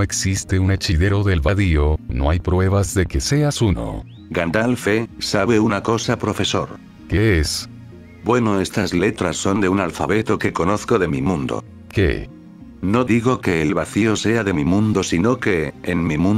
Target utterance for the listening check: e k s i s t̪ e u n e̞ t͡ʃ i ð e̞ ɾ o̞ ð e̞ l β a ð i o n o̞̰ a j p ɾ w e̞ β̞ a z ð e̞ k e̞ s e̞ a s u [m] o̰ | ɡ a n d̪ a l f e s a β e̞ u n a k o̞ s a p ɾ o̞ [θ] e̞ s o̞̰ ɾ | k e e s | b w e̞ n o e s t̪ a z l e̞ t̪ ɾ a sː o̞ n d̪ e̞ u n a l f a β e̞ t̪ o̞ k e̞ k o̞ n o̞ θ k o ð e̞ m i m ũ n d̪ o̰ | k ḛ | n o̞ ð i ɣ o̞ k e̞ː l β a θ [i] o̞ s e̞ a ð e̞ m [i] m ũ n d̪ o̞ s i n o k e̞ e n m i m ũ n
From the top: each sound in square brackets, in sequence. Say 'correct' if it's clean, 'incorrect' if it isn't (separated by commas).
incorrect, incorrect, correct, correct